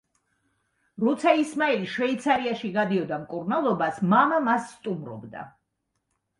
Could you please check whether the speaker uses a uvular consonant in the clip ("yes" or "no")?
no